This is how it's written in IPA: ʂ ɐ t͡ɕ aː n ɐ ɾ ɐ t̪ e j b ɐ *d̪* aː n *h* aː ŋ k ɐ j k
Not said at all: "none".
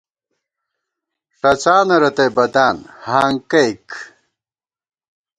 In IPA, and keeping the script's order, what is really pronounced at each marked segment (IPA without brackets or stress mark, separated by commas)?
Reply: d̪, h